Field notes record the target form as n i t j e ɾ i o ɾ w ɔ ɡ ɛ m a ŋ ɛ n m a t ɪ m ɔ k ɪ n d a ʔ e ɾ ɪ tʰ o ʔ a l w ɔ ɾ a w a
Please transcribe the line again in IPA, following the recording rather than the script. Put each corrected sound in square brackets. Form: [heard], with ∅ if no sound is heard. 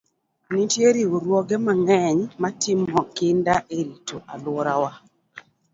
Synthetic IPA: n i t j e ɾ i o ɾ w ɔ ɡ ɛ m a ŋ ɛ [ɲ] m a t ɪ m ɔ k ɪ n d a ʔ e ɾ [i] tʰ o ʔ a l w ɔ ɾ a w a